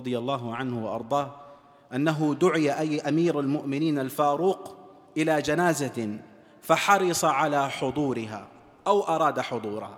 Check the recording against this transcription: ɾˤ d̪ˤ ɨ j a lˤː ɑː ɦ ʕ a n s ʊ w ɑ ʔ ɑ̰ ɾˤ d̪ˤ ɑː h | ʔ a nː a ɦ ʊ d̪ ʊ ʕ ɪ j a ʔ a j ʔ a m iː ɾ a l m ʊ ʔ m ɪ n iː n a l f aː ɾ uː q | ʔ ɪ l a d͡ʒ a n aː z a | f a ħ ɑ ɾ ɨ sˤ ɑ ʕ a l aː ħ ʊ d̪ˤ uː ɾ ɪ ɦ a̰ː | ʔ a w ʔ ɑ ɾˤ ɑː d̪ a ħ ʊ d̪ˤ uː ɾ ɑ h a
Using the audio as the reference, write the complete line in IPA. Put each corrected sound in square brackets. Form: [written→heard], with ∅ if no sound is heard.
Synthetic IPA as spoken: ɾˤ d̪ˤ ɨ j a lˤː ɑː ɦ ʕ a n [s→h] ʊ w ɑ ʔ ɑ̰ ɾˤ d̪ˤ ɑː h | ʔ a nː a ɦ ʊ d̪ ʊ ʕ ɪ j a ʔ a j ʔ a m iː ɾ a l m ʊ ʔ m ɪ n iː n a l f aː ɾ uː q | ʔ ɪ l a d͡ʒ a n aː z a | f a ħ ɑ ɾ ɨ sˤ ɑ ʕ a l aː ħ ʊ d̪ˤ uː ɾ ɪ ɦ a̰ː | ʔ a w ʔ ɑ ɾˤ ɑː d̪ a ħ ʊ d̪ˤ uː ɾ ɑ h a